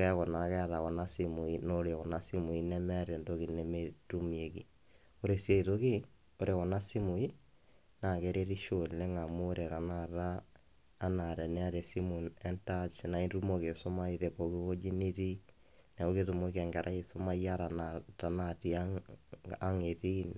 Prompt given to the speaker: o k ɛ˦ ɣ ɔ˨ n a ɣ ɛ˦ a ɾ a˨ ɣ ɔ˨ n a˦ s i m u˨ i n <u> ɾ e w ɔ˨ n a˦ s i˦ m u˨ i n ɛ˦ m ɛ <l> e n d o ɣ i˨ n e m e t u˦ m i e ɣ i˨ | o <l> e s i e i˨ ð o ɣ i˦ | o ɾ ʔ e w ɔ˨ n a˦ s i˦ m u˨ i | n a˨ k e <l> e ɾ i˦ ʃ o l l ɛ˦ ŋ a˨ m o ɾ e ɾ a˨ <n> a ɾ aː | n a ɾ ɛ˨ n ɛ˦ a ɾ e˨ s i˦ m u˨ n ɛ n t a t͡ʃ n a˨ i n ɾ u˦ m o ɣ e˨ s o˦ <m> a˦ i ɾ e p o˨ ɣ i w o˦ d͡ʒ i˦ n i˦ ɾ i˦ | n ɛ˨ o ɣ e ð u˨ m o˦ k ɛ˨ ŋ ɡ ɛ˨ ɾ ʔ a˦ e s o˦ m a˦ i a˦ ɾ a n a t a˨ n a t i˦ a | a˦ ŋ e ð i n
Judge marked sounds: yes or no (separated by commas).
no, no, no, no, yes, yes